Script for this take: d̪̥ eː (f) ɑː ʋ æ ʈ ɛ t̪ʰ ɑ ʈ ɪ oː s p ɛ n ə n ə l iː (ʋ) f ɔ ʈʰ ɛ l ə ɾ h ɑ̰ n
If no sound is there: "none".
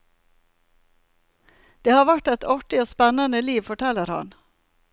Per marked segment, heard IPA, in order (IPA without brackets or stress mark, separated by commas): h, ʋ